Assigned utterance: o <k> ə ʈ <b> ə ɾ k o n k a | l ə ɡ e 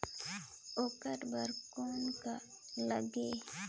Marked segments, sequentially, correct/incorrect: correct, correct

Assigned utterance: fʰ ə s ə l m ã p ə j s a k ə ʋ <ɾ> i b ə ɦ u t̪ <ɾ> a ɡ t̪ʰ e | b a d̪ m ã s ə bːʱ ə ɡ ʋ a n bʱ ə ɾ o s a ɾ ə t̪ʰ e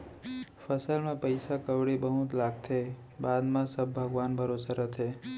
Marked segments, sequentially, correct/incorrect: incorrect, incorrect

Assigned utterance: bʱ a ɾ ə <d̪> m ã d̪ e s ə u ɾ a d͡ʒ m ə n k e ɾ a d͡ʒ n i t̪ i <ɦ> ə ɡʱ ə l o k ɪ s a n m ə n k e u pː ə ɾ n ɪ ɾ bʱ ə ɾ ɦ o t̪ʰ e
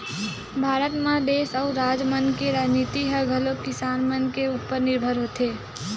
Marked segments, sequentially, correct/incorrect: incorrect, correct

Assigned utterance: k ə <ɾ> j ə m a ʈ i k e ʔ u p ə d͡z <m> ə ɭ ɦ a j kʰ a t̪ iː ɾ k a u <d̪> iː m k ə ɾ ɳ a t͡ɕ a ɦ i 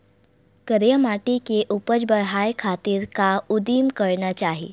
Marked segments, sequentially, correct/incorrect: correct, incorrect, correct

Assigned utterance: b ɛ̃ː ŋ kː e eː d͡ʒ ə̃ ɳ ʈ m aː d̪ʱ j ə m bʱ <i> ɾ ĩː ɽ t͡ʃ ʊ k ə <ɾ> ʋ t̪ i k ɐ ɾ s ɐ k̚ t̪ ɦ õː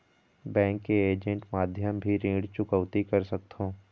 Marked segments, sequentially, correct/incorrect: correct, incorrect

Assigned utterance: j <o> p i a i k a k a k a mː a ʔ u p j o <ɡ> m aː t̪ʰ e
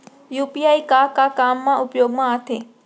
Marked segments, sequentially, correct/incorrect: incorrect, correct

